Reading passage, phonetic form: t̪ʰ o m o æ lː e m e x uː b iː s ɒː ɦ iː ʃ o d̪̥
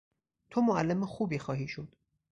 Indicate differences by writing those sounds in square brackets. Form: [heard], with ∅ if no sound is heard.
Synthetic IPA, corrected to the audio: t̪ʰ o m o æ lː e m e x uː b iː [x] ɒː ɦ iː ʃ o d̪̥